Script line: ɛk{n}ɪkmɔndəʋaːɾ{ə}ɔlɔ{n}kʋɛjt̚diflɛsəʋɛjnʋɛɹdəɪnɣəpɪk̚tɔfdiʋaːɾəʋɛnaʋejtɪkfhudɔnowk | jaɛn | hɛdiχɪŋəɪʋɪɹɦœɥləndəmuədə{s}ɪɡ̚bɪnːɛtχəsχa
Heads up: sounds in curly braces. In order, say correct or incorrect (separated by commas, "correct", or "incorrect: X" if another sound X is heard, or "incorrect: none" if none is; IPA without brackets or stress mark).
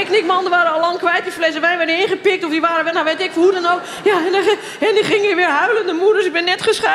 correct, correct, incorrect: ŋ, correct